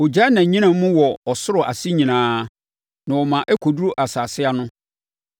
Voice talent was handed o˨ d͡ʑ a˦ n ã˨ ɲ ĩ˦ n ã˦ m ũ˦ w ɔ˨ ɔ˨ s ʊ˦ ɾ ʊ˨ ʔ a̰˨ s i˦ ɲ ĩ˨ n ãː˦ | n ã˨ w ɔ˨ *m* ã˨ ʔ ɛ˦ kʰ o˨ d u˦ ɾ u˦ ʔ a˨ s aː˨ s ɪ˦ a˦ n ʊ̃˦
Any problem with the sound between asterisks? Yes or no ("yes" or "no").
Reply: no